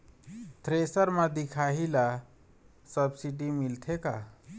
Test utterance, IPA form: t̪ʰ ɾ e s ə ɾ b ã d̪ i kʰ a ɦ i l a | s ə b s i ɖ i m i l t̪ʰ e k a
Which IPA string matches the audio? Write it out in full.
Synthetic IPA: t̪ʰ ɾ e s ə ɾ m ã d̪ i kʰ a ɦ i l a | s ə b s i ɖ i m i l t̪ʰ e k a